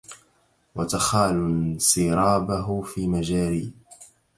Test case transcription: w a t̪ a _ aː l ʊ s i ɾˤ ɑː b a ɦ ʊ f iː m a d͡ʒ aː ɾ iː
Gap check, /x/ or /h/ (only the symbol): x